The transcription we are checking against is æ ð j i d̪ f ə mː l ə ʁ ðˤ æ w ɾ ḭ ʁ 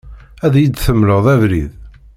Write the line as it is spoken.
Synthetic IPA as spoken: æ ð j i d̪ θ ə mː l ə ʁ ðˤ æ v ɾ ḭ ð

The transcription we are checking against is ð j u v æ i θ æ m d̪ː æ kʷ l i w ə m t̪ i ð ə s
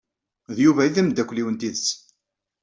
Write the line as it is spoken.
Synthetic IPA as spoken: ð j u v æ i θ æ m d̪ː æ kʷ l i w ə n t̪ i ð ə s

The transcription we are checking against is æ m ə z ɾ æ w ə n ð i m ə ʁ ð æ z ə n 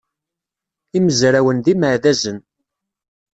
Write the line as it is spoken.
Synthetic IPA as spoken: i m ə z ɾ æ w ə n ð i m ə ʕ ð æ z ə n

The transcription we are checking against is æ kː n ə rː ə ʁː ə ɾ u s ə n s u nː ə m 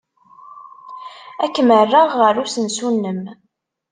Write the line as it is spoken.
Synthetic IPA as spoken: æ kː m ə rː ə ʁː ə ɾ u s ə n s u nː ə m

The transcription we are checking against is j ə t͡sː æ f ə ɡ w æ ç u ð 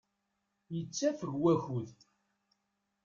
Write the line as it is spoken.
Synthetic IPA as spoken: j ə t͡sː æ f ə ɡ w æ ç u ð

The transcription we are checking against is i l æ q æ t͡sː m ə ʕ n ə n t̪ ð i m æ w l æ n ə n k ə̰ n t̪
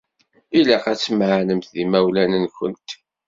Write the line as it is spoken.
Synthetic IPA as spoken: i l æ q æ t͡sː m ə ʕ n ə m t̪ ð i m æ w l æ n ə n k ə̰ n t̪

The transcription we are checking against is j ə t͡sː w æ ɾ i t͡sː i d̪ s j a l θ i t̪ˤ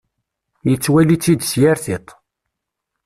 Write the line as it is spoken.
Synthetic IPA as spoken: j ə t͡sː w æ l i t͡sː i d̪ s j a ɾ θ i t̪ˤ

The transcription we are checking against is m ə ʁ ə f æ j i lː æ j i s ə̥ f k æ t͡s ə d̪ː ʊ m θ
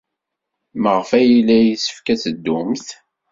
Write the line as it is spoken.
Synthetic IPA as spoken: m ə ʁ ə f æ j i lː æ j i s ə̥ f k æ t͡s ə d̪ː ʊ m θ

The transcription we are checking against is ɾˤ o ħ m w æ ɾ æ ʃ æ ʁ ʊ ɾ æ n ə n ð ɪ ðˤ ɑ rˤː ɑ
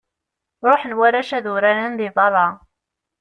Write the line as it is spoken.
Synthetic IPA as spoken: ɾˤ o ħ n w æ ɾ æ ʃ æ ð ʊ ɾ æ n ə n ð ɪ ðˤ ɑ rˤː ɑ

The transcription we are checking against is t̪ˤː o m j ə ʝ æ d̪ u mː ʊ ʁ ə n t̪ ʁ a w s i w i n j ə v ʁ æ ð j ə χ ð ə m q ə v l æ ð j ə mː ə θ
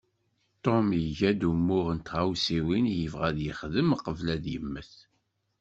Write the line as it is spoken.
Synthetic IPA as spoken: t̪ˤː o m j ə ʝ æ d̪ u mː ʊ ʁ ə n t̪ ʁ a w s i w i n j ə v ʁ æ ð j ə χ ð ə m q ə v l æ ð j ə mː ə θ

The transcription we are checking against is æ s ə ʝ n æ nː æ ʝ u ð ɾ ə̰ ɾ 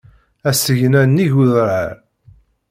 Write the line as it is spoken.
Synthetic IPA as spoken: æ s ə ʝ n æ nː i ʝ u ð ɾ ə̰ ɾ

